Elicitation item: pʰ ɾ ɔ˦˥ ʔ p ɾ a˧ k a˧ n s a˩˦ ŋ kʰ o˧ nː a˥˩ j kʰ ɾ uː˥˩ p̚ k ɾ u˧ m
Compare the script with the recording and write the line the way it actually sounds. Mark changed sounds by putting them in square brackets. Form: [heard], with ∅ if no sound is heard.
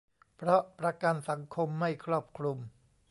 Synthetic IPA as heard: pʰ ɾ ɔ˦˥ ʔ p ɾ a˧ k a˧ n s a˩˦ ŋ kʰ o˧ [mː] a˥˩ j kʰ ɾ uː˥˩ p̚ [kʰ] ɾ u˧ m